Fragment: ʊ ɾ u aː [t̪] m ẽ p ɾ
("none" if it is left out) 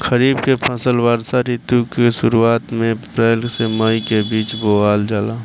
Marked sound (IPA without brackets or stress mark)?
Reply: t̪